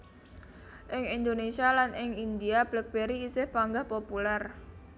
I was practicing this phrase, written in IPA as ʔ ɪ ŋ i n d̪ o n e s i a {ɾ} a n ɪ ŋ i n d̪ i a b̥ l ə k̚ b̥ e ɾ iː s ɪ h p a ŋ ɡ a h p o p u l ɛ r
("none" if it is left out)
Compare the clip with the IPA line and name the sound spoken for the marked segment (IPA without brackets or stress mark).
l